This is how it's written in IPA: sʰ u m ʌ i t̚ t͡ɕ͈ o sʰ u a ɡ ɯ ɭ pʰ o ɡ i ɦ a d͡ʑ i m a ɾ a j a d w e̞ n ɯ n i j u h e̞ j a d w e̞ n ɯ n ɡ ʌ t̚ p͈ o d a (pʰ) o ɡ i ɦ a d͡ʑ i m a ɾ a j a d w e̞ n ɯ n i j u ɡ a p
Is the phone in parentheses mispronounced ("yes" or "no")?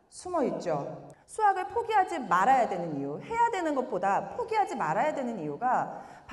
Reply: no